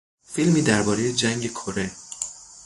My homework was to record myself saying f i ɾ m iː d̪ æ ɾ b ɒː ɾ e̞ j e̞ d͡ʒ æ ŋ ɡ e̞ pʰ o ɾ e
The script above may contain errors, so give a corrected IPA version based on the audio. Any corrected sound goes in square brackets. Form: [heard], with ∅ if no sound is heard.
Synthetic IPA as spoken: f i [l] m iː d̪ æ ɾ b ɒː ɾ e̞ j e̞ d͡ʒ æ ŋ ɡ e̞ [kʰ] o ɾ e